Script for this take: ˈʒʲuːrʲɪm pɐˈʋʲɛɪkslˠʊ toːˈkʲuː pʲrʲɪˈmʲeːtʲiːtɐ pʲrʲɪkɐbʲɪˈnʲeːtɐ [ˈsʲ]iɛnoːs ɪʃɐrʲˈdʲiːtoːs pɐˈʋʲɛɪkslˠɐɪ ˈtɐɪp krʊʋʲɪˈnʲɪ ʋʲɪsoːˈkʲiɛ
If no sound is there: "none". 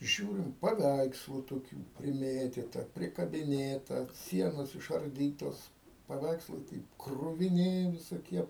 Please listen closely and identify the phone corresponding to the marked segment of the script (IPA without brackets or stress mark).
sʲ